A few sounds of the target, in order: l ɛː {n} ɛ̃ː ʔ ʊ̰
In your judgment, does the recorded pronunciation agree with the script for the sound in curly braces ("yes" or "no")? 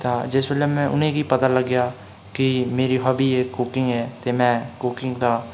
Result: no